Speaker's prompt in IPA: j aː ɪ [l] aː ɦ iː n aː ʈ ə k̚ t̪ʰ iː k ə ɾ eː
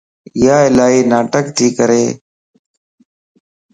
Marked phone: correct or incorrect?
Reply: correct